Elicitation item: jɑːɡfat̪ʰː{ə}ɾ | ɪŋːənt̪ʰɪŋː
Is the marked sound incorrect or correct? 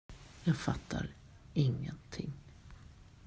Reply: incorrect